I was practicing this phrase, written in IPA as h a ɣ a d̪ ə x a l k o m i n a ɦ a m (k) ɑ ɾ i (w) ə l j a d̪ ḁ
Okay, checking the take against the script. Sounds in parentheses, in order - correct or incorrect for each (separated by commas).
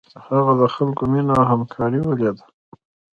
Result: incorrect, correct